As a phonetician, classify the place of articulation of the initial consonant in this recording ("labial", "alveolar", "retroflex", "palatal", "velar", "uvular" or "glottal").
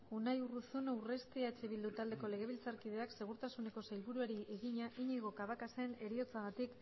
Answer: alveolar